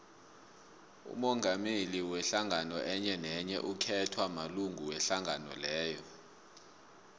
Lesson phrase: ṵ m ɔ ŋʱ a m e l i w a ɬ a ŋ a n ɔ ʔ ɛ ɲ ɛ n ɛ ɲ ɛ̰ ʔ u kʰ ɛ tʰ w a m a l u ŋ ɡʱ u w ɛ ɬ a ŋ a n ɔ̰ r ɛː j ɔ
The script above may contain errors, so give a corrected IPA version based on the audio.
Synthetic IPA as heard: ṵ m ɔ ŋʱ a m e l i w ɛ ɬ a ŋ a n ɔ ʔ ɛ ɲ ɛ n ɛ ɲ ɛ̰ ʔ u kʰ ɛ tʰ w a m a l u ŋ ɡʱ u w ɛ ɬ a ŋ a n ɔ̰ l ɛː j ɔ